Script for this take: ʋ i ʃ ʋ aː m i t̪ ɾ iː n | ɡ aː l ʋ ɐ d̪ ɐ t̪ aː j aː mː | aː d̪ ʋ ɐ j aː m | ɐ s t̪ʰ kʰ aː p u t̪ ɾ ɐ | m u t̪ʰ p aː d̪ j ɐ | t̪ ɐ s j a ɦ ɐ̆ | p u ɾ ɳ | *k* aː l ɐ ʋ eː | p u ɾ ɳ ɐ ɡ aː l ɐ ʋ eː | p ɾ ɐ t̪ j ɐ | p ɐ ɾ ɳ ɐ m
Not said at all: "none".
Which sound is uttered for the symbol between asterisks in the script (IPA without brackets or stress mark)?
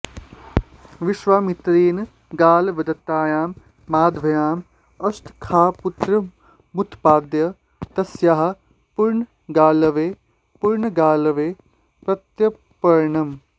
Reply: ɡ